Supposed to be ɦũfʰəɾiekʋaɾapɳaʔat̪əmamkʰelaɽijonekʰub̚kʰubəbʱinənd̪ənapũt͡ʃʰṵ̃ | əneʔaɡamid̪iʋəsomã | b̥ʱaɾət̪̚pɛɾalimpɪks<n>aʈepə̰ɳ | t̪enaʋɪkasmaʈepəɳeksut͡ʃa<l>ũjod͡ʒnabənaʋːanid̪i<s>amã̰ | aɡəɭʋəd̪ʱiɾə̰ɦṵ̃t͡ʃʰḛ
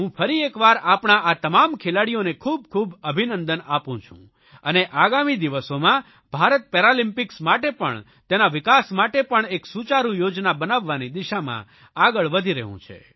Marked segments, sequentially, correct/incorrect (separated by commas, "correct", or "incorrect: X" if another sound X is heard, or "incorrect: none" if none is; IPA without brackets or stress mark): incorrect: m, incorrect: ɾ, incorrect: ʃ